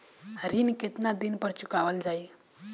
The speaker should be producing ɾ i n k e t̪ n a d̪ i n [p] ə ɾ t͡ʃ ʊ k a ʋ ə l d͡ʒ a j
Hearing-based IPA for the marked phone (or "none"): p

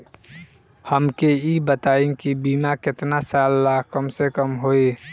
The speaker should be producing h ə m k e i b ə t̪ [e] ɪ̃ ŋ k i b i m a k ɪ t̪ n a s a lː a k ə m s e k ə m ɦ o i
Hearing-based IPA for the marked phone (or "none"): a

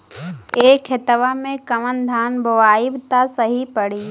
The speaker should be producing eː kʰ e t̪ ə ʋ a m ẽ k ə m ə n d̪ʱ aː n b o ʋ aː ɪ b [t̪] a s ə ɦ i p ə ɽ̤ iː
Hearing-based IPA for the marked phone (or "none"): t̪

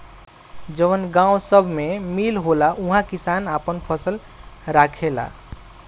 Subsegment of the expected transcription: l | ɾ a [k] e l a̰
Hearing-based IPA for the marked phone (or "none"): kʰ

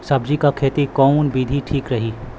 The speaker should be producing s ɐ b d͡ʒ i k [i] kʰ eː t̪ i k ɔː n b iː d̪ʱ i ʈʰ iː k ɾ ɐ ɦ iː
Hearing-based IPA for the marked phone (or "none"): a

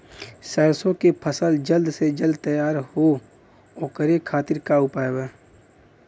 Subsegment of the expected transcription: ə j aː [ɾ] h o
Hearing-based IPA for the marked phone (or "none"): ɾ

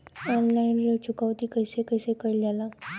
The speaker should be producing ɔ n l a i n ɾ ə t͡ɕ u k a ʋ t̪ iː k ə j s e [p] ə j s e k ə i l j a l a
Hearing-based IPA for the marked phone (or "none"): k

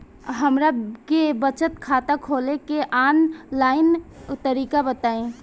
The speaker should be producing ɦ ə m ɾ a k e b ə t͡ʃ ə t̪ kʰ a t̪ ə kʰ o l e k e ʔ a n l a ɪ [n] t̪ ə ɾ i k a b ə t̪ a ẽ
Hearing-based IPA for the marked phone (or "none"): n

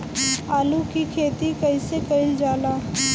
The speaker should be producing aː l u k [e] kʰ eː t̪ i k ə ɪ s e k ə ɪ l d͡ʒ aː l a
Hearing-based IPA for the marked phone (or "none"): i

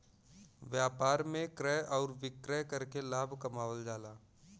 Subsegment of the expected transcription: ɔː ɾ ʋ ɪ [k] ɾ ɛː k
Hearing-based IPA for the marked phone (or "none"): k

